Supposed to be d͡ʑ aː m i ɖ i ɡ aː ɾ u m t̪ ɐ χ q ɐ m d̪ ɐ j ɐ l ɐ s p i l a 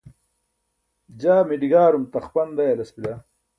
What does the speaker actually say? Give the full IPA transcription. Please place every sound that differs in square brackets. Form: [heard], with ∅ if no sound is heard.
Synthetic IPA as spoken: d͡ʑ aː m i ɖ i ɡ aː ɾ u m t̪ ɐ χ [p] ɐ [n] d̪ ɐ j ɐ l ɐ s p i l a